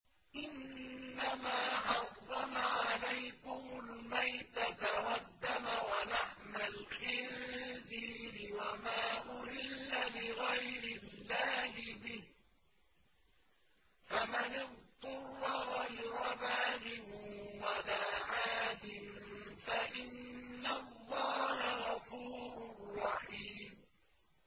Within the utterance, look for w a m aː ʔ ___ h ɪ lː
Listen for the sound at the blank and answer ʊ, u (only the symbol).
ʊ